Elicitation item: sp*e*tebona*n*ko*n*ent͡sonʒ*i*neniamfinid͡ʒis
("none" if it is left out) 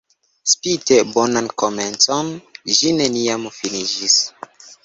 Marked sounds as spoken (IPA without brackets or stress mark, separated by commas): i, n, m, i